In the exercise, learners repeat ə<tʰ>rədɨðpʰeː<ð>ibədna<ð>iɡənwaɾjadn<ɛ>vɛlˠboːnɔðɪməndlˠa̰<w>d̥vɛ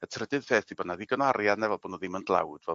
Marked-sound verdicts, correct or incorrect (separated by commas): correct, incorrect, correct, correct, correct